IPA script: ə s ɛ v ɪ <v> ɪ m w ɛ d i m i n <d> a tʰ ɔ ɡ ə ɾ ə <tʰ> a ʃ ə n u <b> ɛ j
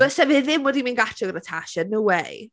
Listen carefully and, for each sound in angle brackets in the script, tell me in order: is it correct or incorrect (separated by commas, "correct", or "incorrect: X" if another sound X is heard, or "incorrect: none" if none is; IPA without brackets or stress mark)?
incorrect: ð, incorrect: ɡ, correct, incorrect: w